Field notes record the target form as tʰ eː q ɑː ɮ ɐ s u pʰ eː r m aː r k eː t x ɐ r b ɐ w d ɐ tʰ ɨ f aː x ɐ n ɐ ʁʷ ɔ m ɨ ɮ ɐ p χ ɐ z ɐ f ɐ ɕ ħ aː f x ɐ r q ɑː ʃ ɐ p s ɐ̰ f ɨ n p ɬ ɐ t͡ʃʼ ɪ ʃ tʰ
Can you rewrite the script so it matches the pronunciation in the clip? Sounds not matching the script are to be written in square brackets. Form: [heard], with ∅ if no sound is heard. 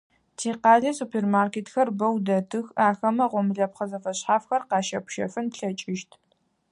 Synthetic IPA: tʰ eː q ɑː ɮ ɐ s u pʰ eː r m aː r k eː t x ɐ r b ɐ w d ɐ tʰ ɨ [x] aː x ɐ [m] ɐ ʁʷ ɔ m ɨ ɮ ɐ p χ ɐ z ɐ f ɐ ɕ ħ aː f x ɐ r q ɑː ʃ ɐ p [ʃ] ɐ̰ f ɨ n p ɬ ɐ t͡ʃʼ ɪ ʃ tʰ